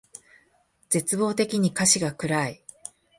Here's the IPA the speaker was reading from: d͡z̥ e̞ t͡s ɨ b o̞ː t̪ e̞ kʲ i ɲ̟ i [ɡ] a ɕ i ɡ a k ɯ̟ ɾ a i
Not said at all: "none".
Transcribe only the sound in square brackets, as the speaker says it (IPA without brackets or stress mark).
k